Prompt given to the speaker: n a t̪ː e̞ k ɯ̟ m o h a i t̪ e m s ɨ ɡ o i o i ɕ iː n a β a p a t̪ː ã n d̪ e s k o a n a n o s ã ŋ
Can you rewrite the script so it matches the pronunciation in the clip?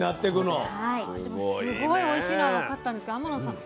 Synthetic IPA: n a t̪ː e̞ k ɯ̟ n o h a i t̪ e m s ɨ ɡ o i o i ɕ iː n a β a k a t̪ː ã n d̪ e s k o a m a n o s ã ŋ